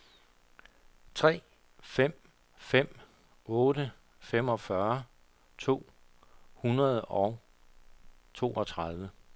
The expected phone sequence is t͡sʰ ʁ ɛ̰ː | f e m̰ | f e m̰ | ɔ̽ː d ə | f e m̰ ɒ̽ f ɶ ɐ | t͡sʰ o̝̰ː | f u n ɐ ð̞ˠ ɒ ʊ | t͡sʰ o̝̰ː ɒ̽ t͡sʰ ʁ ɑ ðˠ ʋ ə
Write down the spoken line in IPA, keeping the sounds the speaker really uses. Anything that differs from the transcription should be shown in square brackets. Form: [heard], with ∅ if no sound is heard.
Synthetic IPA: t͡sʰ ʁ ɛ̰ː | f e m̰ | f e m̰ | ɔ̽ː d ə | f e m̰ ɒ̽ f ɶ ɐ | t͡sʰ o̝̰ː | [h] u n ɐ ð̞ˠ ɒ ʊ | t͡sʰ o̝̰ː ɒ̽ t͡sʰ ʁ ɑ ðˠ ʋ ə